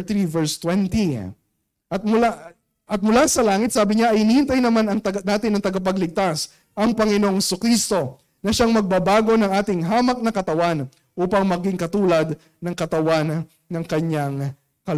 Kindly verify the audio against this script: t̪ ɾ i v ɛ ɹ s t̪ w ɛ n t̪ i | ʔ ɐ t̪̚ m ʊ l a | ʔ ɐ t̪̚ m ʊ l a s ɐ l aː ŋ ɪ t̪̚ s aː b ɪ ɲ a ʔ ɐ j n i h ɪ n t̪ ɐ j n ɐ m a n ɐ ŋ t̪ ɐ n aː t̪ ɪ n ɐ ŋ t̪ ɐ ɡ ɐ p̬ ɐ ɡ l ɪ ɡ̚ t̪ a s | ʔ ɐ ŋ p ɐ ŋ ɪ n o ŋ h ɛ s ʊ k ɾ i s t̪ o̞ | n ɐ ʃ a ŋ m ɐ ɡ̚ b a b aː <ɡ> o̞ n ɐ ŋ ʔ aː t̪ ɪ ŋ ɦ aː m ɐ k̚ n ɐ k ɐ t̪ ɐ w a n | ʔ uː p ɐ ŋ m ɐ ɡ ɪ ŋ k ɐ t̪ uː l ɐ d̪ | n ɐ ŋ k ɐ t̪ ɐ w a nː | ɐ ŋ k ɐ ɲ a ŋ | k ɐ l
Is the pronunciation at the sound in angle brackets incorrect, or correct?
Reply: correct